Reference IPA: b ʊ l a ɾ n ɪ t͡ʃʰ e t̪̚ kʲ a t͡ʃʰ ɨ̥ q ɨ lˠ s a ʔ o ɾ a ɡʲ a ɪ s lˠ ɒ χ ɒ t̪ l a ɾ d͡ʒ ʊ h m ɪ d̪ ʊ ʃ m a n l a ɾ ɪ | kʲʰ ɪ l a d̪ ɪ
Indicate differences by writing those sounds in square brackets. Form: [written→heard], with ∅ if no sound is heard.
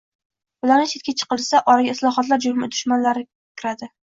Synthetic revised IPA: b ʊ l a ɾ n ɪ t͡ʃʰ e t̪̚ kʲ a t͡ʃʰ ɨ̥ q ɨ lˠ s a ʔ [o→ɒ] ɾ a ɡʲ a ɪ s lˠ ɒ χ ɒ t̪ l a ɾ d͡ʒ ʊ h m ɪ d̪ ʊ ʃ m a n l a ɾ ɪ | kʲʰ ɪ [l→ɾ] a d̪ ɪ

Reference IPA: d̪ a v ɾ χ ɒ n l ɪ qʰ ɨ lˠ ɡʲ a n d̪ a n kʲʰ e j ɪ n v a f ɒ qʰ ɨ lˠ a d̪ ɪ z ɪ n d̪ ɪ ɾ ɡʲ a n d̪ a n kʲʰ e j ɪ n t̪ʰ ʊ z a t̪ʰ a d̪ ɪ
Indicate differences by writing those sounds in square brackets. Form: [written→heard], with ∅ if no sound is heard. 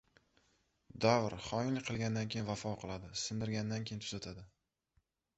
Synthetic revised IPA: d̪ a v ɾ χ ɒ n l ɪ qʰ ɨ lˠ ɡʲ a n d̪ a n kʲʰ e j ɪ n v a f ɒ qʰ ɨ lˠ a d̪ ɪ [z→s] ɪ n d̪ ɪ ɾ ɡʲ a n d̪ a n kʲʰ e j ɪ n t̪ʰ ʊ z a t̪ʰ a d̪ ɪ

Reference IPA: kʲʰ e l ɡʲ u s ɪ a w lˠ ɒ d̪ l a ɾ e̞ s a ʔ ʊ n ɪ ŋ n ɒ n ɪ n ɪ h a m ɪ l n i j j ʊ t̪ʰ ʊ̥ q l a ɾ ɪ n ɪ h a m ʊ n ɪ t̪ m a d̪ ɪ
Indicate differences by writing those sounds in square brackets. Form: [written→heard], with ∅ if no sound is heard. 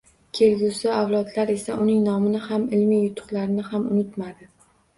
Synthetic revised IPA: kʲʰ e l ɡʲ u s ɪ a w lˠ ɒ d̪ l a ɾ e̞ s a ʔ ʊ n ɪ ŋ n ɒ [n→m] ɪ n ɪ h a m ɪ l [n→m] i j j ʊ t̪ʰ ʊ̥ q l a ɾ ɪ n ɪ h a m ʊ n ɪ t̪ m a d̪ ɪ

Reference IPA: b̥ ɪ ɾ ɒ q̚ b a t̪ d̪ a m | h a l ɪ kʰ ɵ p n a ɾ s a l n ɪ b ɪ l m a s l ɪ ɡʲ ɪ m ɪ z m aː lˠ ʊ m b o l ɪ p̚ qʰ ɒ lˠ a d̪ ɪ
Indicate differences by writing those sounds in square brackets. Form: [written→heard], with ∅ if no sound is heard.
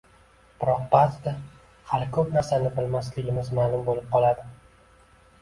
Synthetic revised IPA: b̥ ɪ ɾ ɒ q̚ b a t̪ d̪ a [m→∅] | h a l ɪ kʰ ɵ p n a ɾ s a [l→∅] n ɪ b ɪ l m a s l ɪ ɡʲ ɪ m ɪ z m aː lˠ ʊ m b o l ɪ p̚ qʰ ɒ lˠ a d̪ ɪ

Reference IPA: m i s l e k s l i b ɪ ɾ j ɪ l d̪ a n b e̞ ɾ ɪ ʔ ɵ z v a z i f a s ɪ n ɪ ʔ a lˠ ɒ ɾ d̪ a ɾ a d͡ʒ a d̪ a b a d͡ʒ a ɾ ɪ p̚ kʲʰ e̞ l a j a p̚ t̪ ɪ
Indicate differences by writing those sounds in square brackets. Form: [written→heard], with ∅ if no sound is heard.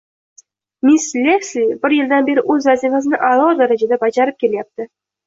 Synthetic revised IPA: m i s l e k s l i b ɪ ɾ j ɪ l d̪ a n b e̞ ɾ ɪ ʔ ɵ z v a z i f a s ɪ n ɪ ʔ a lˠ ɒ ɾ d̪ a ɾ a d͡ʒ a d̪ a b a d͡ʒ a ɾ ɪ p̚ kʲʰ e̞ l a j a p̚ t̪ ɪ

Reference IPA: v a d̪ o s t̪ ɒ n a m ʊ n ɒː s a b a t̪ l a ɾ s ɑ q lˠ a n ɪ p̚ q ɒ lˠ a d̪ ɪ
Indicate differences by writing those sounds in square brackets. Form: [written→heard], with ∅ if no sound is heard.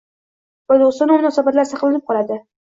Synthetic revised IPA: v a d̪ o s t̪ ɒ n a m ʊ n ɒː s a b a t̪ l a ɾ s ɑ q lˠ a n ɪ p̚ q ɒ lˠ a d̪ ɪ

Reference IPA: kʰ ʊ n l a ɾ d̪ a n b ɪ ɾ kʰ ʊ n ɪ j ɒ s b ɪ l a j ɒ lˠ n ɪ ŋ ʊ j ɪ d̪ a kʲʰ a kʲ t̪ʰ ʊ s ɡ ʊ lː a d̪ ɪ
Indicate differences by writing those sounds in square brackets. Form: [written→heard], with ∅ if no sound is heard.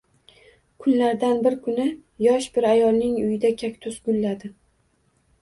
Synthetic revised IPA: kʰ ʊ n l a ɾ d̪ a n b ɪ ɾ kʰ ʊ n ɪ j ɒ [s→ʃ] b ɪ [l→ɾ] a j ɒ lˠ n ɪ ŋ ʊ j ɪ d̪ a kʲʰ a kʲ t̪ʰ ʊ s ɡ ʊ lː a d̪ ɪ

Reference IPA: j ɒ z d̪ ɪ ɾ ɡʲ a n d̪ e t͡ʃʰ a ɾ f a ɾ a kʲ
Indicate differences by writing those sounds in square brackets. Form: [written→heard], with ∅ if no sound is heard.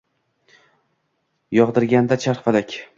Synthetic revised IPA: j ɒ [z→ʁ] d̪ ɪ ɾ ɡʲ a n d̪ [e→a] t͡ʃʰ a ɾ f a [ɾ→l] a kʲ

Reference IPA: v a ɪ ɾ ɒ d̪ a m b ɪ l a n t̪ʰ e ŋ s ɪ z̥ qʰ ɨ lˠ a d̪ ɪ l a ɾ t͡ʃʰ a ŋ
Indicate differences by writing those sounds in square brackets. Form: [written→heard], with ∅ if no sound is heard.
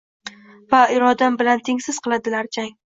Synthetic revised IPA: v a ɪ ɾ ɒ d̪ a m b ɪ l a n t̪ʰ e ŋ s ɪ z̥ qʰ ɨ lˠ a d̪ ɪ l a ɾ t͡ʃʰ a ŋ

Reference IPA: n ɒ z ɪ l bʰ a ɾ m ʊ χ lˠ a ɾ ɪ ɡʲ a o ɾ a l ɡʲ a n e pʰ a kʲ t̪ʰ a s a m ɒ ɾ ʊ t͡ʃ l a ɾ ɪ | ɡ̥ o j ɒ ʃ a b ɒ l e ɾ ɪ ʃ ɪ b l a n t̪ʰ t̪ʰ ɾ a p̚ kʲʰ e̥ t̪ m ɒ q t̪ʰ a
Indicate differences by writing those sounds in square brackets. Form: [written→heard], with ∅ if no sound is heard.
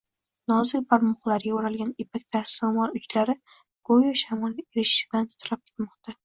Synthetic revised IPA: n ɒ z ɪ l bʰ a ɾ m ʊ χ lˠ a ɾ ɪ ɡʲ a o ɾ a l ɡʲ a n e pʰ a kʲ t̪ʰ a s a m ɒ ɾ ʊ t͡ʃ l a ɾ ɪ | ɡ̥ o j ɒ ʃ a [b→m] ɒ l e ɾ ɪ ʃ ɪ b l a n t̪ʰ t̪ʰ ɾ a p̚ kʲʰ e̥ t̪ m ɒ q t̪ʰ a

